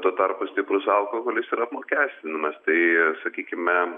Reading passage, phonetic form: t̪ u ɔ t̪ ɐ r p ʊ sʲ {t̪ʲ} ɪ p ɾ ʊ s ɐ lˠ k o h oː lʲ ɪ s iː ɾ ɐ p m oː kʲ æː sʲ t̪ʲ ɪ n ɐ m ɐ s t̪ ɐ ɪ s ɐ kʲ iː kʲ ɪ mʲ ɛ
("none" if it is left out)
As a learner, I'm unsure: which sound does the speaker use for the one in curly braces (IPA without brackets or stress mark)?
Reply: t̪ʲ